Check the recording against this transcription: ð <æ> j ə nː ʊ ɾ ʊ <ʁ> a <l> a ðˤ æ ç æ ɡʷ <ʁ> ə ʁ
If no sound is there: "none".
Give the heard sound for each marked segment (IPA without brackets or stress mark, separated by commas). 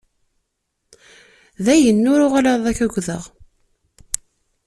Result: æ, ʁ, l, ð